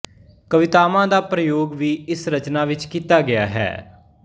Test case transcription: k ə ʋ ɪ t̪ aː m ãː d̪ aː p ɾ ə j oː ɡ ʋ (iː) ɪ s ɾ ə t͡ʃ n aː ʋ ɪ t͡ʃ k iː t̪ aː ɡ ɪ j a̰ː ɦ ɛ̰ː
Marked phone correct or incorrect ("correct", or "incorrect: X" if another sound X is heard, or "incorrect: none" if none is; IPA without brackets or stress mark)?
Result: correct